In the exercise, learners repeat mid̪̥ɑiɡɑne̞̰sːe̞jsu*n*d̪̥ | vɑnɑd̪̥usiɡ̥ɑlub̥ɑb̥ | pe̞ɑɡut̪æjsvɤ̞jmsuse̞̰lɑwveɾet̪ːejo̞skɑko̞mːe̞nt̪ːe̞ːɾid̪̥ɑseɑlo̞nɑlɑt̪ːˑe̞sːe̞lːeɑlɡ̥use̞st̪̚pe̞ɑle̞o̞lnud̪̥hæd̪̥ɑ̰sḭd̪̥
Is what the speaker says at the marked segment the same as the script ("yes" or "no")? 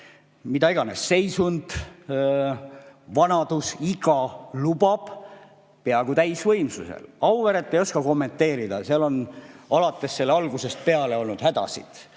yes